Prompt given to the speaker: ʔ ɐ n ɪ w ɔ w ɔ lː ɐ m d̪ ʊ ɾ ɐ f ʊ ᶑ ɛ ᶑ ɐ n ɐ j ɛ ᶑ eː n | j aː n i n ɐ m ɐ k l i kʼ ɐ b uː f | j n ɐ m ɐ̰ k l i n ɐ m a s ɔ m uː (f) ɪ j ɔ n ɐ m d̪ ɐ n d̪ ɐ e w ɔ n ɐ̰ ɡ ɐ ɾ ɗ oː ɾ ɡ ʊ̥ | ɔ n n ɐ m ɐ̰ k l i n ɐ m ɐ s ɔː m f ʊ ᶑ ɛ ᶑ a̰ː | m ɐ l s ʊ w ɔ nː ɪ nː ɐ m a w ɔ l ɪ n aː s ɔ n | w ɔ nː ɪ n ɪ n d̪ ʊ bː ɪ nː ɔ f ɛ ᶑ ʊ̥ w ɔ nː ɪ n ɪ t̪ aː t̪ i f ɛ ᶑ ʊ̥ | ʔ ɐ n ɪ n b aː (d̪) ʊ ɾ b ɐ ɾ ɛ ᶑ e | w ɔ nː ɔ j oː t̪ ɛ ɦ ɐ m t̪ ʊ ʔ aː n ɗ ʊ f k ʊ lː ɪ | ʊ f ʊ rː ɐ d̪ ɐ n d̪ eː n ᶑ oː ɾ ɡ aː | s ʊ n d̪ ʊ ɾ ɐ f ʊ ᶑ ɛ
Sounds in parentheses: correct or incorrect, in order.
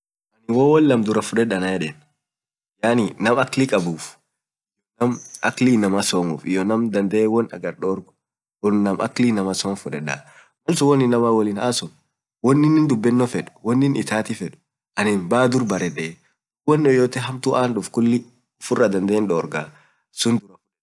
correct, correct

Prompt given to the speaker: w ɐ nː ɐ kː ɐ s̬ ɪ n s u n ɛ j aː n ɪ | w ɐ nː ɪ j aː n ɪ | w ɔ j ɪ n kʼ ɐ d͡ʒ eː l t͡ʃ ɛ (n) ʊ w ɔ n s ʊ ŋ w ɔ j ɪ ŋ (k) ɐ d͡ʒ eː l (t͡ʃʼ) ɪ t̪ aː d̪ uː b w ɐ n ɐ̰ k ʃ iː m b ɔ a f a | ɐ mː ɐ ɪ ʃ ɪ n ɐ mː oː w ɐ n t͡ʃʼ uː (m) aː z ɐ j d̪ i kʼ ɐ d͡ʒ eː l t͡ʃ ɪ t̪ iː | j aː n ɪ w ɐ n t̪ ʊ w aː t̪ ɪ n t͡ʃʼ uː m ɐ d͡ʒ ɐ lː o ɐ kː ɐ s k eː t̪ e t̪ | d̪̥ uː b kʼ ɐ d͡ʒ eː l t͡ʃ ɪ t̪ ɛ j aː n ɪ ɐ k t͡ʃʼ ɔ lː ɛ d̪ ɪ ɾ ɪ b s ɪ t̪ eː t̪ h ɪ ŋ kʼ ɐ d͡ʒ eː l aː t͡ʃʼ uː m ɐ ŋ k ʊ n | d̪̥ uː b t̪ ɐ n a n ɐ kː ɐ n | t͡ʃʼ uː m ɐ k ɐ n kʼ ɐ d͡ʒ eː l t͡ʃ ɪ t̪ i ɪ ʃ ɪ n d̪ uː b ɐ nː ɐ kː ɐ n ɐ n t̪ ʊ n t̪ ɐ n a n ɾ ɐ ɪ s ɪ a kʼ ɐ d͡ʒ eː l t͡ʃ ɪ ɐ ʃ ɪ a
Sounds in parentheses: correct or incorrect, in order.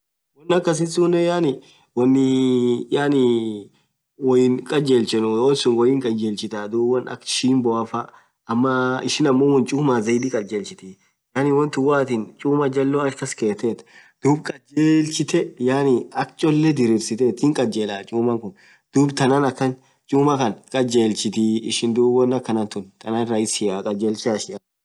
correct, incorrect, incorrect, correct

